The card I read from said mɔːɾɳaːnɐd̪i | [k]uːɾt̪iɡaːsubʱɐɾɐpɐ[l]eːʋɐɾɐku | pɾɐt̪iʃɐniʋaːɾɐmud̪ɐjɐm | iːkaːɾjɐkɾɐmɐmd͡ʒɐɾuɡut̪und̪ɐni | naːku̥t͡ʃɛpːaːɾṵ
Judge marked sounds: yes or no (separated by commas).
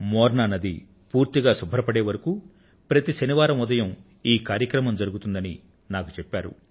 no, no